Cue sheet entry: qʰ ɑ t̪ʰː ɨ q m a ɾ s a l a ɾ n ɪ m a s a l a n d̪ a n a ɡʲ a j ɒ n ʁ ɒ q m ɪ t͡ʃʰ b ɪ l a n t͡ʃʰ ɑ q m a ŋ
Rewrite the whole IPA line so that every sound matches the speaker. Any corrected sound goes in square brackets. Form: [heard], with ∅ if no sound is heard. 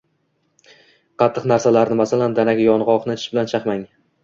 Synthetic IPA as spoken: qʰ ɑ t̪ʰː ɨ q [n] a ɾ s a l a ɾ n ɪ m a s a l a n d̪ a n a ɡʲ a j ɒ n ʁ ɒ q [n] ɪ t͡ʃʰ b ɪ l a n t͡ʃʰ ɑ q m a ŋ